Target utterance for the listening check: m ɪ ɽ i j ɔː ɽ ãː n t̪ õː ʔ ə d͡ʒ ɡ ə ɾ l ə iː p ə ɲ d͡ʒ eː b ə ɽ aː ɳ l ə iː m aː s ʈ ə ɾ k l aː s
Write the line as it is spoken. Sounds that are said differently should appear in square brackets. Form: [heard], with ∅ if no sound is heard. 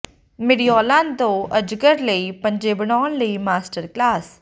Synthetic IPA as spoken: m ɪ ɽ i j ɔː [l] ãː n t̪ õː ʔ ə d͡ʒ ɡ ə ɾ l ə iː p ə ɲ d͡ʒ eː b ə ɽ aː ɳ l ə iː m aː s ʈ ə ɾ k l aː s

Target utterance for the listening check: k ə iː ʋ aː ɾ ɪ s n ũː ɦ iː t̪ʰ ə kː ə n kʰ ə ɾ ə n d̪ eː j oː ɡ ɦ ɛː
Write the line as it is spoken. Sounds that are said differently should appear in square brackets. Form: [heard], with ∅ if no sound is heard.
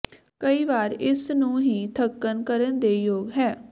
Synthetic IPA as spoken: k ə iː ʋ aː ɾ ɪ s n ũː ɦ iː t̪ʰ ə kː ə n [k] ə ɾ ə n d̪ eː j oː ɡ ɦ ɛː

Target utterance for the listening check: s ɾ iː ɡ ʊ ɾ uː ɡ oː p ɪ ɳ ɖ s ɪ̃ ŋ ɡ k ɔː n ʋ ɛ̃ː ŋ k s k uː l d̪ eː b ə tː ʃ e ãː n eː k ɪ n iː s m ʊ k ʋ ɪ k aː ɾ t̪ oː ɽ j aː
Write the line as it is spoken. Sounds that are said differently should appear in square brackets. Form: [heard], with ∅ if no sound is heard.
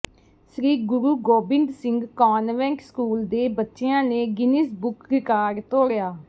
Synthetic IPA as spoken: s ɾ iː ɡ ʊ ɾ uː ɡ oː [b] ɪ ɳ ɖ s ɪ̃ ŋ ɡ k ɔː n ʋ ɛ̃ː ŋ k s k uː l d̪ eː b ə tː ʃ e ãː n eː [ɡ] ɪ n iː s [b] ʊ k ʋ ɪ k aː ɾ t̪ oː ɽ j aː

